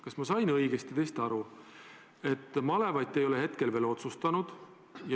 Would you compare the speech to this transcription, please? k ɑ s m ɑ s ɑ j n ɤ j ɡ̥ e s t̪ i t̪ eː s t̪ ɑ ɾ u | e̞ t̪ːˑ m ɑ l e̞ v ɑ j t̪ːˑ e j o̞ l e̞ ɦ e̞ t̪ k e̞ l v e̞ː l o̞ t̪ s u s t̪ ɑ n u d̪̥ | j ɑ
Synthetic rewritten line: k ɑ s m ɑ s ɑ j n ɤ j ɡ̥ e s t̪ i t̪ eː s t̪ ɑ ɾ u | e̞ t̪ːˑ m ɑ l e̞ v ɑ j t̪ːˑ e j o̞ l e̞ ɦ e̞ t̪ k e̞ l v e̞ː l o̞ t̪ s u s t̪ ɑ n u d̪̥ | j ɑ